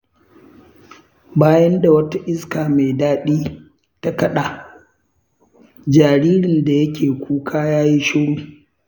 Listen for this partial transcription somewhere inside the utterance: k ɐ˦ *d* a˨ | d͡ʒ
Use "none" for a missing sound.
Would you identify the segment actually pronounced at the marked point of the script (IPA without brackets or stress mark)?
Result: ɗ